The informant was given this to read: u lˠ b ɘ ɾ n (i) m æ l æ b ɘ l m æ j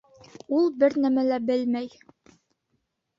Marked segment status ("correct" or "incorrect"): incorrect